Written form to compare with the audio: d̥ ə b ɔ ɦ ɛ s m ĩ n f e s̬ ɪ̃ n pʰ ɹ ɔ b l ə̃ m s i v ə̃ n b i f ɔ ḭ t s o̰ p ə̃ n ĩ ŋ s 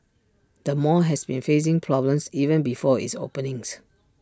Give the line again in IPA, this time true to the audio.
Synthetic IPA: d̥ ə m ɔ ɦ ɛ s b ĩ n f e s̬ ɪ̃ ŋ pʰ ɹ ɔ b l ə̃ m s i v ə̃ n b i f ɔ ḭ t s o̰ p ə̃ n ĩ ŋ s

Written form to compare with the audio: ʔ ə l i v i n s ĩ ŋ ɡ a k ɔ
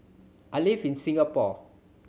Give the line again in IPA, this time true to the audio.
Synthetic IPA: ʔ a l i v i n s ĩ ŋ ɡ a p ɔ

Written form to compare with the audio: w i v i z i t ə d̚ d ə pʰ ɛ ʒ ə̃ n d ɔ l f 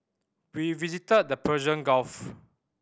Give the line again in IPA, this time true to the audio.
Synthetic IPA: w i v i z i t ə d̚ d ə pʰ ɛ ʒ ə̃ n ɡ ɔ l f

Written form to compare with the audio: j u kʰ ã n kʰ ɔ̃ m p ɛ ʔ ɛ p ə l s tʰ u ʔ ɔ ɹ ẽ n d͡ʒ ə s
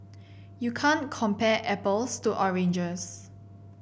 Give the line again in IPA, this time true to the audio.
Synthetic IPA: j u kʰ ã n kʰ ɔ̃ m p ɛ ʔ ɛ p ə l s t u ʔ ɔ ɹ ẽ n d͡ʒ ə s

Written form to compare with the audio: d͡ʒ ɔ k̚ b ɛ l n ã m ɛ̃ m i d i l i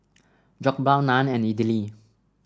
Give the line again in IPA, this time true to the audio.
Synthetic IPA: d͡ʒ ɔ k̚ b a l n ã n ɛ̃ n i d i l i

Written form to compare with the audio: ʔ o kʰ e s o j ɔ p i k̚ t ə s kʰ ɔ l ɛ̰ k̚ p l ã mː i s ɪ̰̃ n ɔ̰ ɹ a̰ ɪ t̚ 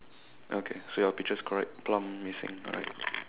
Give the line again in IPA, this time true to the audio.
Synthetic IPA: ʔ o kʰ e s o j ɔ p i k̚ t͡ʃ ə s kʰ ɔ ɹ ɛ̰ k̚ p l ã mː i s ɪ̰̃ ŋ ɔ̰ ɹ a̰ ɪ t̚

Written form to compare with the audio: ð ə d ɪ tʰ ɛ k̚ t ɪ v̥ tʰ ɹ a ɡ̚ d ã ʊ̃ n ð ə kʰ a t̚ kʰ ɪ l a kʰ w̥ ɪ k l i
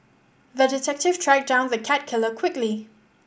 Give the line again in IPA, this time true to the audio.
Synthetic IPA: ð ə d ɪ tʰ ɛ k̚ t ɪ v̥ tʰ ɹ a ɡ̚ d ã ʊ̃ n ð ə kʰ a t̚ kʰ ɪ l ə kʰ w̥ ɪ k l i

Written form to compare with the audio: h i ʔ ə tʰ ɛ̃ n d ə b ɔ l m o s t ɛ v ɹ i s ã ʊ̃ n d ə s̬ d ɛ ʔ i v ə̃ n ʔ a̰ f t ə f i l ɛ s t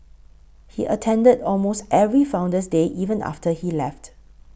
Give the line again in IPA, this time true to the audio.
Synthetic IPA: h i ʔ ə tʰ ɛ̃ n d ə d ɔ l m o s t ɛ v ɹ i f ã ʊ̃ n d ə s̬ d e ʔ i v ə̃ n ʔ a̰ f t ə h i l ɛ f t

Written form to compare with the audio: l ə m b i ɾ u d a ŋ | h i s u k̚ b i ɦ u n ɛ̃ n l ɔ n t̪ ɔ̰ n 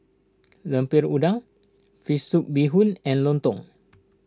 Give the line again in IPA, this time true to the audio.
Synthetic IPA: l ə m p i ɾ u d a ŋ | f i s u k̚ b i ɦ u n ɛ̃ n l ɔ n t̪ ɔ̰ ŋ

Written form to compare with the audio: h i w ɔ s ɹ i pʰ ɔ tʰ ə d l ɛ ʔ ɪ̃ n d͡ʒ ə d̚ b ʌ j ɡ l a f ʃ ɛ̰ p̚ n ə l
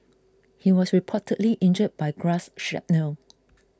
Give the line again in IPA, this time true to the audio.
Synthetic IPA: h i w ɔ s ɹ i pʰ ɔ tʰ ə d l i ʔ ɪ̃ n d͡ʒ ə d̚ b a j ɡ ɹ a s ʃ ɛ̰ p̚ n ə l

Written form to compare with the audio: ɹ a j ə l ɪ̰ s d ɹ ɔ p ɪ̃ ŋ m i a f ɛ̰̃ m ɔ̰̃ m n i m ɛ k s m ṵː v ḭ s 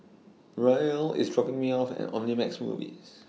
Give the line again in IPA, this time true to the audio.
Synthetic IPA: ɹ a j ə l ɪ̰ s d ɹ ɔ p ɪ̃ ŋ m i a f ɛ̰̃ n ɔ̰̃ m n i m ɛ k s m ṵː v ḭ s

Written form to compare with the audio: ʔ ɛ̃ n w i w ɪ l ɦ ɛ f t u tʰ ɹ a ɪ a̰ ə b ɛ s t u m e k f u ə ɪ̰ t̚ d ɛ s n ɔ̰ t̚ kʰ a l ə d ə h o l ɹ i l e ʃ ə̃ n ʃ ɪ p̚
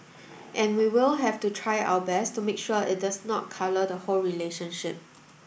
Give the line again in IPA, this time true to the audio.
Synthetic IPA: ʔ ɛ̃ n w i w ɪ l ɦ ɛ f t u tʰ ɹ a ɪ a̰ ə b ɛ s t u m e k ʃ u ə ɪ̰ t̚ d a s n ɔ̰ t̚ kʰ a l ə d ə h o l ɹ i l e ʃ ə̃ n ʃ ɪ p̚

